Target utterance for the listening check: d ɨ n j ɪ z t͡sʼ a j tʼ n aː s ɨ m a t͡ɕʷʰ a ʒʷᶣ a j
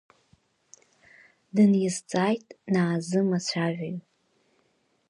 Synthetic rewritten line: d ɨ n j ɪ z t͡sʼ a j tʼ n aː z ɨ m a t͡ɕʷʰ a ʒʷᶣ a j